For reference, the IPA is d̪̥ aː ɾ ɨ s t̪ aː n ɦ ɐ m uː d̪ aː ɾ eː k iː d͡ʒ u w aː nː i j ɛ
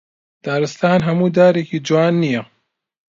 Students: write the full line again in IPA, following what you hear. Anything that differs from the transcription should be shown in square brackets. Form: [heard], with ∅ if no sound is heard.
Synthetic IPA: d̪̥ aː ɾ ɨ s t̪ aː n ɦ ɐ m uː d̪ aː ɾ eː k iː d͡ʒ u w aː nː i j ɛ